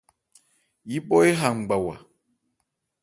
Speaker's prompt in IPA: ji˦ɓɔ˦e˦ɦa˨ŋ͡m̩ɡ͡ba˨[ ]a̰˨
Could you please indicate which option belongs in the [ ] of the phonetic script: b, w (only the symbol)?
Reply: w